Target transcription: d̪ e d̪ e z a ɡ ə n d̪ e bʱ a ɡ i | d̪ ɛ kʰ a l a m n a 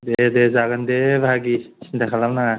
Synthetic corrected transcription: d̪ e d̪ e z a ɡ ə n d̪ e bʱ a ɡ i | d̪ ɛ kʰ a l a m n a